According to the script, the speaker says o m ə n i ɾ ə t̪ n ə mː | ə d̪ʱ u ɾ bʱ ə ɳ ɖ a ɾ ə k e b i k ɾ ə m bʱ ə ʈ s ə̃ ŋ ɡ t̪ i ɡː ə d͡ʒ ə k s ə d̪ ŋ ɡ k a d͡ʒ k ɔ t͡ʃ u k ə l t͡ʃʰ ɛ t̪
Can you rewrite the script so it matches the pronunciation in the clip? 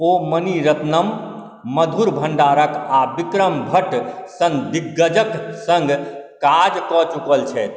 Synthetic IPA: o m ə n i ɾ ə t̪ n ə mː | ə d̪ʱ u ɾ bʱ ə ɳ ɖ a ɾ ə k a b i k ɾ ə m bʱ ə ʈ s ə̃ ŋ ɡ d̪ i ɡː ə d͡ʒ ə k s ə ŋ ɡ k a d͡ʒ k ɔ t͡ʃ u k ə l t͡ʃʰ ɛ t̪